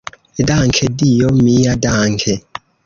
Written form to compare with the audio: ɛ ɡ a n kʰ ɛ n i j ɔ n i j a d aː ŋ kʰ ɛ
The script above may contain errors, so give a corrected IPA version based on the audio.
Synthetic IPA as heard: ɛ d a ŋ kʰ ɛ d i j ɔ m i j a d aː ŋ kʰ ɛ